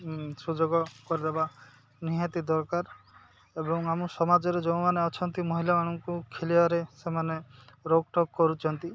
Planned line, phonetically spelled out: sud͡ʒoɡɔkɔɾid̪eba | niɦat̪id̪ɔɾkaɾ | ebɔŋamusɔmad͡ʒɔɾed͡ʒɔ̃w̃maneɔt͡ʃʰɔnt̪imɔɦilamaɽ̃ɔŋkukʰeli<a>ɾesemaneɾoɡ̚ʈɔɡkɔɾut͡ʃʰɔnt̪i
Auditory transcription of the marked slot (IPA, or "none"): a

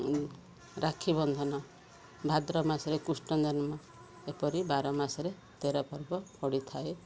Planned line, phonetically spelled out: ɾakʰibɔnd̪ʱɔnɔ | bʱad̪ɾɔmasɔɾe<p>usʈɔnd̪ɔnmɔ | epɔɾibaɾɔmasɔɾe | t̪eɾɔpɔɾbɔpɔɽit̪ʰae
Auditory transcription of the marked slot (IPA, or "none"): k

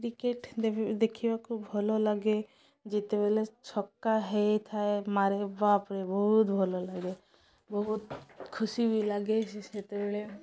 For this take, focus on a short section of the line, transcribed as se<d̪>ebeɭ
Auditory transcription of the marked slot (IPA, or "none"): t̪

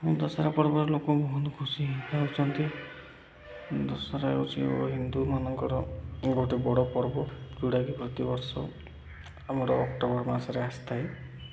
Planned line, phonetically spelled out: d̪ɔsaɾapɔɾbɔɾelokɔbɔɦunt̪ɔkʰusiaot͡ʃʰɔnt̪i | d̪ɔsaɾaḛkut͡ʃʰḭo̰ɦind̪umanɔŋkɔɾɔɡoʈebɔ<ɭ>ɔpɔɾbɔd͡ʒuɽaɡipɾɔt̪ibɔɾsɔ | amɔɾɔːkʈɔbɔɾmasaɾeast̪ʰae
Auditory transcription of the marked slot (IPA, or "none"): ɽ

